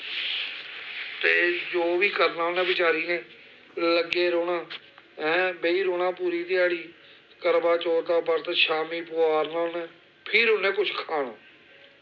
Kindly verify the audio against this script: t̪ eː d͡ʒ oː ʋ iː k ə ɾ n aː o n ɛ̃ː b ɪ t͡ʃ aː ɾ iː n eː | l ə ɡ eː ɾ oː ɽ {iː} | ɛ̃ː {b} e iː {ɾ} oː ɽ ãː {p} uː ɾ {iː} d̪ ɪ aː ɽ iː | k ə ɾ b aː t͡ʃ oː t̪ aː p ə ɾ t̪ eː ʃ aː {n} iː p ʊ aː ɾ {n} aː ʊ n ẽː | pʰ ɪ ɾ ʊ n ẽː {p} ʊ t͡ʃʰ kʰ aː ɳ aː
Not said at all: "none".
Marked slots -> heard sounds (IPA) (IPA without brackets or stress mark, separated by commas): aː, b, ɾ, p, iː, m, n, k